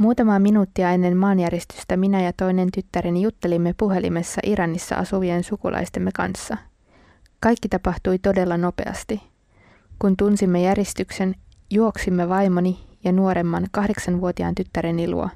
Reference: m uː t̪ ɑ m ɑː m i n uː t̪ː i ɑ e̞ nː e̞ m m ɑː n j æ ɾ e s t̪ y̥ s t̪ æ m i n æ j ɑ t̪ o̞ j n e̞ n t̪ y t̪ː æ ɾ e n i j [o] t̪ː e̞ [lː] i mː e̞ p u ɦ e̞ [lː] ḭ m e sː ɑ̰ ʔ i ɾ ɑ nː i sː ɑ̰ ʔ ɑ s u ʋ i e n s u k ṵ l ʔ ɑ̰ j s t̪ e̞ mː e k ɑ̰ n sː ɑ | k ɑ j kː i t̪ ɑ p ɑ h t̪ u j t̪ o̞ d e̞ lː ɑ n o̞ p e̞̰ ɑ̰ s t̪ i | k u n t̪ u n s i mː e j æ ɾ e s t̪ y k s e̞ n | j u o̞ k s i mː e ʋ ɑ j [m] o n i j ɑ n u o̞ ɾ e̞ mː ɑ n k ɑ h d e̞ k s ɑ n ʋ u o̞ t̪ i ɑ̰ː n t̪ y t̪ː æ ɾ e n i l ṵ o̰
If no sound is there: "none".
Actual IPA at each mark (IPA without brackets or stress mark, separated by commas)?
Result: u, l, l, m